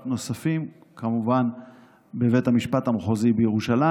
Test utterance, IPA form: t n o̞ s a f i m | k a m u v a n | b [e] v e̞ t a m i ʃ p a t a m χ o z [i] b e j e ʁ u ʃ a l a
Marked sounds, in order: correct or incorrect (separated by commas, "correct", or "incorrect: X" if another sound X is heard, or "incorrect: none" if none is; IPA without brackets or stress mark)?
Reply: correct, correct